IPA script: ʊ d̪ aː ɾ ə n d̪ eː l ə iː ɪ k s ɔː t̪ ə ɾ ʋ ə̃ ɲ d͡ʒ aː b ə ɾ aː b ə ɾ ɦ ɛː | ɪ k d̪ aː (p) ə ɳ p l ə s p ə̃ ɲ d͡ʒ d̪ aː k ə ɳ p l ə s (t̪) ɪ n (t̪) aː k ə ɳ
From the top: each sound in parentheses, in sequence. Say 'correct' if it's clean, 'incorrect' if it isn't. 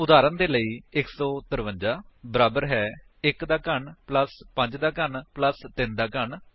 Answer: incorrect, correct, incorrect

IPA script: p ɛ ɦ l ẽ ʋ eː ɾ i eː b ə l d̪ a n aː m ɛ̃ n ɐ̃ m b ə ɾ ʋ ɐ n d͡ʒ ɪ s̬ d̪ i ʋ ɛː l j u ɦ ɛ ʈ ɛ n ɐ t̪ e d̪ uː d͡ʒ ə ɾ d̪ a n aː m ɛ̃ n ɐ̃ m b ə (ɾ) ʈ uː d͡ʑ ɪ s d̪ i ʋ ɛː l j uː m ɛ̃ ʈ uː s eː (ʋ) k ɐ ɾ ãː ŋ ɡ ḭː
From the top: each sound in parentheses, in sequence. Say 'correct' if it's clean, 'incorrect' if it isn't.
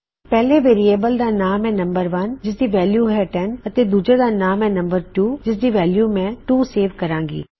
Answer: correct, correct

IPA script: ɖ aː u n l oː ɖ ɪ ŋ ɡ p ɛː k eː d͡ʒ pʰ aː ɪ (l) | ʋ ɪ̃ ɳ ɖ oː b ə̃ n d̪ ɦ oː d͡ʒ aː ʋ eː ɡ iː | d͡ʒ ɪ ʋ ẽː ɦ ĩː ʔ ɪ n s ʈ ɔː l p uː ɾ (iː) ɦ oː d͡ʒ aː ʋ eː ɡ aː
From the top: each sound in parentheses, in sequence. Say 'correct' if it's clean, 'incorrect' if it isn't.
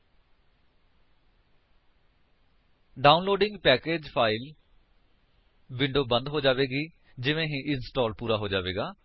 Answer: correct, incorrect

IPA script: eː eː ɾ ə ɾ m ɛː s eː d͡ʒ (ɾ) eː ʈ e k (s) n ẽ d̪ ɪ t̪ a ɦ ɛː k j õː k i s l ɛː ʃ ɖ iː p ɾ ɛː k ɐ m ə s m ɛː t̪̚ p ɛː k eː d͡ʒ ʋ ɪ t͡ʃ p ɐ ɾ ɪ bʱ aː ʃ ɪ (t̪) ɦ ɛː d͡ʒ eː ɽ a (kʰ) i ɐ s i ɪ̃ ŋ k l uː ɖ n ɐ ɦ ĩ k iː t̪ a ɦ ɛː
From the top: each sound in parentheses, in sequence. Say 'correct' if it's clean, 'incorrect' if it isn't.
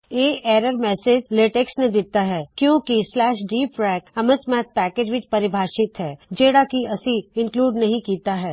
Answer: incorrect, correct, correct, incorrect

